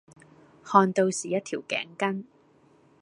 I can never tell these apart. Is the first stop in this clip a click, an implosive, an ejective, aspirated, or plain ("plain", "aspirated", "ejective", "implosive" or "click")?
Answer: plain